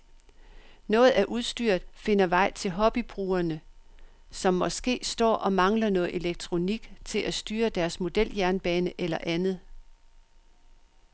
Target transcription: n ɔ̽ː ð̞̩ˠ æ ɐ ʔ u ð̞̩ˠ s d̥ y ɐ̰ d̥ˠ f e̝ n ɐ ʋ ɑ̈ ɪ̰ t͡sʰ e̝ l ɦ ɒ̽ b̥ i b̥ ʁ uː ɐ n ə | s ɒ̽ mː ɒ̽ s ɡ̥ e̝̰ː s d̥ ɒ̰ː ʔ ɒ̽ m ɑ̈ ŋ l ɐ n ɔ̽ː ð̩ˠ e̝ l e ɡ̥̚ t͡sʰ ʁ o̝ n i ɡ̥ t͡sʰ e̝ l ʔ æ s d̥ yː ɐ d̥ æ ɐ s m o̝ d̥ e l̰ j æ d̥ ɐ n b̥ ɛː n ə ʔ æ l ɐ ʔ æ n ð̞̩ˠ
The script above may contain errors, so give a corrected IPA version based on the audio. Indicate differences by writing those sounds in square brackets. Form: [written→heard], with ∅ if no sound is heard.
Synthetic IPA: n ɔ̽ː ð̞̩ˠ æ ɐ ʔ u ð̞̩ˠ s d̥ y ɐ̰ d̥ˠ f e̝ n ɐ ʋ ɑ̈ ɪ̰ t͡sʰ e̝ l ɦ ɒ̽ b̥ i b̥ ʁ uː ɐ n ə | s ɒ̽ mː ɒ̽ s ɡ̥ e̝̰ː s d̥ ɒ̰ː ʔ ɒ̽ m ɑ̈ ŋ l ɐ n ɔ̽ː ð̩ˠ e̝ l e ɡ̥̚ t͡sʰ ʁ o̝ n i ɡ̥ t͡sʰ e̝ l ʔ æ s d̥ yː ɐ d̥ æ ɐ s m o̝ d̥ e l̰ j æ [d̥→∅] ɐ n b̥ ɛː n ə ʔ [æ→e] l ɐ ʔ æ n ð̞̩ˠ